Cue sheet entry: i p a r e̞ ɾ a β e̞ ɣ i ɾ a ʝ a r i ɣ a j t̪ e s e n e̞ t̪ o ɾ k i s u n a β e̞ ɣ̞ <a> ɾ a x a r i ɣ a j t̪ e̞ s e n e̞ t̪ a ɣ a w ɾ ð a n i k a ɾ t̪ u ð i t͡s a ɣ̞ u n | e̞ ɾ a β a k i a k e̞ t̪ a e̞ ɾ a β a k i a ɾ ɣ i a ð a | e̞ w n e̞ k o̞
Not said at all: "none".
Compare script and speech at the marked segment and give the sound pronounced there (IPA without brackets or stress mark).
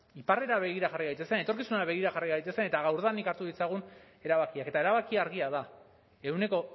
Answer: i